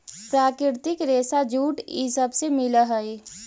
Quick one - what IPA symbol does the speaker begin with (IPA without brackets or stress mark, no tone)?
p